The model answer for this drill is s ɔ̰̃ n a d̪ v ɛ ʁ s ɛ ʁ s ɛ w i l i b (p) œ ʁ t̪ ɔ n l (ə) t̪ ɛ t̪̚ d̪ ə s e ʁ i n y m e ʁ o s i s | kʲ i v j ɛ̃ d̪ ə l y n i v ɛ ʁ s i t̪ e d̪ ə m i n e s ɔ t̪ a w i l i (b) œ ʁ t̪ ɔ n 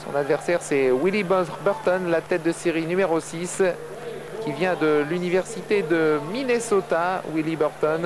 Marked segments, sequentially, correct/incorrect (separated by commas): incorrect, incorrect, correct